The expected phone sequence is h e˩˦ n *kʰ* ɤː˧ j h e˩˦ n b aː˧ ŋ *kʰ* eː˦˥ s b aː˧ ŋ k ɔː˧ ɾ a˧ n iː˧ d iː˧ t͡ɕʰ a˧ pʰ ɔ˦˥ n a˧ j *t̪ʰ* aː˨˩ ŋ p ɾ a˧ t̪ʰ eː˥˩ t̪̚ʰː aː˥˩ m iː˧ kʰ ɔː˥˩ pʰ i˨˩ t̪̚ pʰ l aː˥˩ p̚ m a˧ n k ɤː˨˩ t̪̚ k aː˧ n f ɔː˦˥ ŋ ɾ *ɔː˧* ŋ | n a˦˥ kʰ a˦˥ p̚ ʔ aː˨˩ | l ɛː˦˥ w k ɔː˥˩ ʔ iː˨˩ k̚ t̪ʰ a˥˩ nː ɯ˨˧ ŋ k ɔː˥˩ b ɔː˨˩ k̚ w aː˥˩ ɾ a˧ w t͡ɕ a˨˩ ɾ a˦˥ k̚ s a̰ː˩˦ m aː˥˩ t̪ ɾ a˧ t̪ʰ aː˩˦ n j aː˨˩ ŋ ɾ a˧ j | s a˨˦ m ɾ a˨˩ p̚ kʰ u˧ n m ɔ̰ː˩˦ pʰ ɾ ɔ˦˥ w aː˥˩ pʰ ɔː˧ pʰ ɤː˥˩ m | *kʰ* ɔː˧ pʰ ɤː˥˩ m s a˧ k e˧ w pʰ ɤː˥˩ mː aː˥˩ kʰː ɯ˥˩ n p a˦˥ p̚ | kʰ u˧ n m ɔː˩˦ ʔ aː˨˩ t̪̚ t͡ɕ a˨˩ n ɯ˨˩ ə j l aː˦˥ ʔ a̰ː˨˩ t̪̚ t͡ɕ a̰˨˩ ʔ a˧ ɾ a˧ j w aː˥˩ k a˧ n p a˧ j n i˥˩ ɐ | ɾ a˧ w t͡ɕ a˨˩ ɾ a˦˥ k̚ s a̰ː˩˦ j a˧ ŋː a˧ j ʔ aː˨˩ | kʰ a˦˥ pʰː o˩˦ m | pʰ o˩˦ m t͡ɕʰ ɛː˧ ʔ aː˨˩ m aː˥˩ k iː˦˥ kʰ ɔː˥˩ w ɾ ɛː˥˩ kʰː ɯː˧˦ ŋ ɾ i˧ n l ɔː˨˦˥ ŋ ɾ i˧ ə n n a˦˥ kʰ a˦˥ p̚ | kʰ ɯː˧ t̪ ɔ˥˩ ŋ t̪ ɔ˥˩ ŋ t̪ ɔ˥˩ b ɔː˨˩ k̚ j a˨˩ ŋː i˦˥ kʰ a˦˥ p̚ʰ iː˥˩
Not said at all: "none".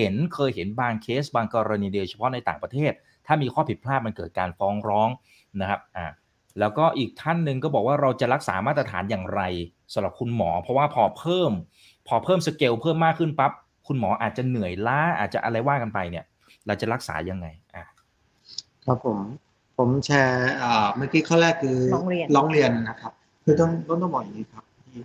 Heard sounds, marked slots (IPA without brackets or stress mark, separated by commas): kʰ, kʰ, t̪, ɔː˦˥, pʰ